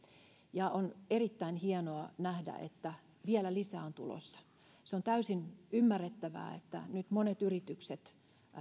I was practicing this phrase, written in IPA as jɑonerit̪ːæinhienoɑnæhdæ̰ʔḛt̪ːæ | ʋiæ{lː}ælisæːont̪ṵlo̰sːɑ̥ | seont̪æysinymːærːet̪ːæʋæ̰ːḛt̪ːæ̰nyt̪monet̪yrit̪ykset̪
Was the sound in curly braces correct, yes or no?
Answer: no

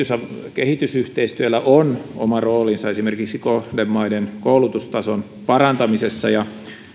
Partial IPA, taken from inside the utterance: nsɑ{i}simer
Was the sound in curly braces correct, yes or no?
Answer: no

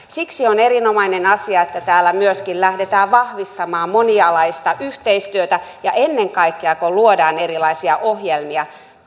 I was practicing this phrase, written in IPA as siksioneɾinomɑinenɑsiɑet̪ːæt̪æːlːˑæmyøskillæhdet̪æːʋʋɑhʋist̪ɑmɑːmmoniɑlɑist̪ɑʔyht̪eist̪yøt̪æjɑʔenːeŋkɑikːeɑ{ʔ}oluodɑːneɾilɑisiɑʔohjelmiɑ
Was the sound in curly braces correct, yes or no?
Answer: no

